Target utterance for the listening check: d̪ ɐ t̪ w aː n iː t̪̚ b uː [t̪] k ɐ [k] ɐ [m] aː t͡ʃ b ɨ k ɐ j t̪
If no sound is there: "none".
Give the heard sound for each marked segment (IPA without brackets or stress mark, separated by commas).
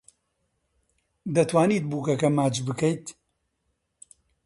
none, k, m